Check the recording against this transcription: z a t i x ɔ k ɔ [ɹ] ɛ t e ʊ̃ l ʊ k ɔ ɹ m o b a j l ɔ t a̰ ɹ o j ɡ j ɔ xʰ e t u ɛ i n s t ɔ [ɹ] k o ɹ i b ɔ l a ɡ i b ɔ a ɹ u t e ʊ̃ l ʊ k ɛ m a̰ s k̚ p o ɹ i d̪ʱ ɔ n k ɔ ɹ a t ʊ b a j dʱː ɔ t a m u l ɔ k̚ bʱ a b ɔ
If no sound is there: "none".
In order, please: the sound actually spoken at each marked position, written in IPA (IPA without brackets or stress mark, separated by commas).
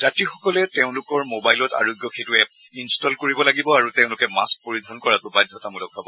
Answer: l, l